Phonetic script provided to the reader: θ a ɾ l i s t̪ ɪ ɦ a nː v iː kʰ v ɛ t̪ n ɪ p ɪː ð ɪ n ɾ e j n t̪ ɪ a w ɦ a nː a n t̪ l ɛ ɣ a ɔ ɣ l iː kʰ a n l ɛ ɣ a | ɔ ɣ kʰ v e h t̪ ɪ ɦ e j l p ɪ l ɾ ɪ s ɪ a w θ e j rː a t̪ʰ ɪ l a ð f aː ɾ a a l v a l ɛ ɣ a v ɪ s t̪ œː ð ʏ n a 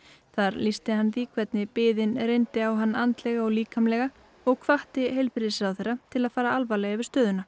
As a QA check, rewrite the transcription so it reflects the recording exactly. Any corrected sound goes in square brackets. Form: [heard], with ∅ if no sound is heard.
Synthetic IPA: θ a ɾ l i s t̪ ɪ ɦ a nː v iː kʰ v ɛ t̪ n ɪ p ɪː ð ɪ n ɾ e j n t̪ ɪ a w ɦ a nː a n t̪ l ɛ ɣ a ɔ ɣ l iː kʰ a [m] l ɛ ɣ a | ɔ ɣ kʰ v [a] h t̪ ɪ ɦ e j l p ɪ [∅] ɾ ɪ s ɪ a w θ e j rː a t̪ʰ ɪ l a ð f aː ɾ a a l v a l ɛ ɣ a v ɪ s t̪ œː ð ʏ n a